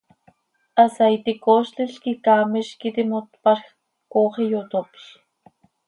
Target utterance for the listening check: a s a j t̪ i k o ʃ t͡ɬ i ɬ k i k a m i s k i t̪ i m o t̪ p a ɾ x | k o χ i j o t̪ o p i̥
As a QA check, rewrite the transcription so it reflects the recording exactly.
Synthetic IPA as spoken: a s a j t̪ i k o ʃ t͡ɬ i ɬ k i k a m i ʃ k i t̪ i m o t̪ p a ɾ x | k o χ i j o t̪ o p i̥